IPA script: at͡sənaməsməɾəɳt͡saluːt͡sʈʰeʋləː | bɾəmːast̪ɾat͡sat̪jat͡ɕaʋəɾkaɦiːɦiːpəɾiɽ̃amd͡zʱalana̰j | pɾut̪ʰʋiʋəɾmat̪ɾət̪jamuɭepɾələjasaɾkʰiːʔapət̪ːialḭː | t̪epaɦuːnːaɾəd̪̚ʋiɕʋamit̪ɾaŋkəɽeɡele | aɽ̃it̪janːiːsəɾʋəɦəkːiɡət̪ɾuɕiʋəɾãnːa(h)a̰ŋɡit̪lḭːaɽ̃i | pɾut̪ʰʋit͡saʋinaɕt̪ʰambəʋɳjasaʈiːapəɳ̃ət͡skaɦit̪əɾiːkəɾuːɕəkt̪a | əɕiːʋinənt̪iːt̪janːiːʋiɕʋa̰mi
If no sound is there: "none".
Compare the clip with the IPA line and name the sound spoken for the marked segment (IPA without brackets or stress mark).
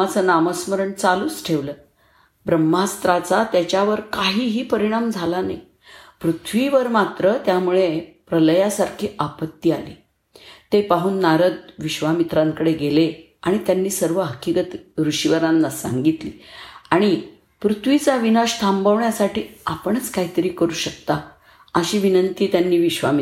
s